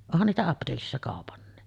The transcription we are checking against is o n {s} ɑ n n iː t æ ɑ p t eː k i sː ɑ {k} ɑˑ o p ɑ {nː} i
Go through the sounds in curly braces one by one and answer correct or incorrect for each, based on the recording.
incorrect, correct, correct

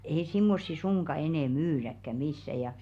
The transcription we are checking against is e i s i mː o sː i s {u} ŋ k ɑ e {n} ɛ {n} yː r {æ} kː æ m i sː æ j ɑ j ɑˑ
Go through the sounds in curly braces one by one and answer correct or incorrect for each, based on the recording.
correct, correct, incorrect, correct

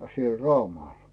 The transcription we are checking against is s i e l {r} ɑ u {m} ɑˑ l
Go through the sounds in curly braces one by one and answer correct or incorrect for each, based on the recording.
correct, correct

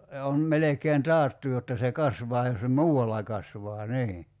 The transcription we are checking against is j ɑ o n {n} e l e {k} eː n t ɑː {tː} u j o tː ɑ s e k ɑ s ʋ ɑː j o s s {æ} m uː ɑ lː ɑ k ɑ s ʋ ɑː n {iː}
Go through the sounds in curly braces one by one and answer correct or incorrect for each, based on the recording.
incorrect, correct, correct, incorrect, correct

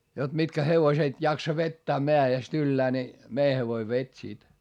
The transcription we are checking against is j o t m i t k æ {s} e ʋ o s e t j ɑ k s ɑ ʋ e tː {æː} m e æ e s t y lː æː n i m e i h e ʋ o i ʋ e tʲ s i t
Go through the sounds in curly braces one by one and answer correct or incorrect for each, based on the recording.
incorrect, correct

